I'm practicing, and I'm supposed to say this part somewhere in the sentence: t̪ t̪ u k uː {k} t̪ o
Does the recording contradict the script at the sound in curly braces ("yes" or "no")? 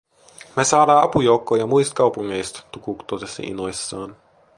no